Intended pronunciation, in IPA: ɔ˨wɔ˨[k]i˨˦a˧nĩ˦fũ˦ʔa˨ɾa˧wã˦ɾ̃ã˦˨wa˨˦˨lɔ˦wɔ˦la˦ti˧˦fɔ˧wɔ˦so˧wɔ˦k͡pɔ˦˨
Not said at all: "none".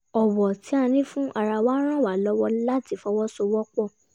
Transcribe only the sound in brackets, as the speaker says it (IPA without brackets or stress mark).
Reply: t